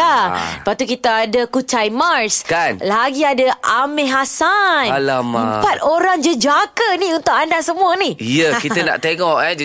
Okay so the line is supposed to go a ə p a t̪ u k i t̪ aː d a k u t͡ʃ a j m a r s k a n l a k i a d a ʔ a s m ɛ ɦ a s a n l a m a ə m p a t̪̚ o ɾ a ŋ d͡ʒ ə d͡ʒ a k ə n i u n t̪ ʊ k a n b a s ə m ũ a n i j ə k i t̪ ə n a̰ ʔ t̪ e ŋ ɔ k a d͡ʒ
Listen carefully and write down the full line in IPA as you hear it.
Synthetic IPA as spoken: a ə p a t̪ u k i t̪ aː d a k u t͡ʃ a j m a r s k a n l a ɡ i a d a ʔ a m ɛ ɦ a s a n l a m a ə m p a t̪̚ o ɾ a ŋ d͡ʒ ə d͡ʒ a k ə n i u n t̪ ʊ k a n d a s ə m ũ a n i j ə k i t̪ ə n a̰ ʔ t̪ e ŋ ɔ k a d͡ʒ